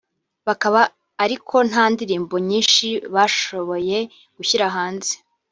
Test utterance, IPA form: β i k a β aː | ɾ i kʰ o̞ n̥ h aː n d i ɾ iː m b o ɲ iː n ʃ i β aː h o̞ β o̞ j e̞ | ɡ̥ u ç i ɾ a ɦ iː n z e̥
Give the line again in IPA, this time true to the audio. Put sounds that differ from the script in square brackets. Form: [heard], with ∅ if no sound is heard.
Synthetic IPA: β [a] k a β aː | ɾ i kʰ o̞ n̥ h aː n d i ɾ iː m b o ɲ iː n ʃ i β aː [ʃ] o̞ β o̞ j e̞ | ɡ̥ u ç i ɾ a ɦ [aː] n z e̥